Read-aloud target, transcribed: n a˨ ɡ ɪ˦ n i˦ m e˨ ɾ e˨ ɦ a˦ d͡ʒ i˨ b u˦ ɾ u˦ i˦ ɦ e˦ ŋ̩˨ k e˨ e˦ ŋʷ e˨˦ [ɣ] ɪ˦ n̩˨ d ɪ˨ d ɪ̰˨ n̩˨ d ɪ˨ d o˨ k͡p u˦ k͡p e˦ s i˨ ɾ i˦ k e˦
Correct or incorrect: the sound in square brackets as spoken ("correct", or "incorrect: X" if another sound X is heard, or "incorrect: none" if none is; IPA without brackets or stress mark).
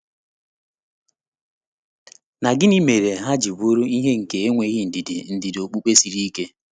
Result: correct